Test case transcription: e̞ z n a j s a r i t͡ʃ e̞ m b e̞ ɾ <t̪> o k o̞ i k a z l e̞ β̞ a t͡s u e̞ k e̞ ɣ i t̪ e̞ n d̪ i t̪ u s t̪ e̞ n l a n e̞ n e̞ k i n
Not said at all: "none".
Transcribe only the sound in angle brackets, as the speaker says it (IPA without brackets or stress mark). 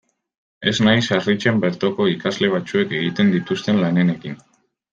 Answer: t̪